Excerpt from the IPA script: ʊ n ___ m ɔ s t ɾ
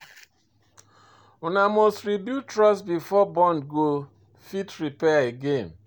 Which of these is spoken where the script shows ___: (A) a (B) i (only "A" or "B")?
A